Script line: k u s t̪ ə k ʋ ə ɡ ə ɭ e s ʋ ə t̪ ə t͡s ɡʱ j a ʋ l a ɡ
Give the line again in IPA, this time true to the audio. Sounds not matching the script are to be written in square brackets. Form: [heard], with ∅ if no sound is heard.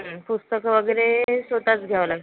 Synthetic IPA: [p] u s t̪ ə k ʋ ə ɡ ə [ɾ] e s ʋ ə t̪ [a] t͡s ɡʱ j a ʋ l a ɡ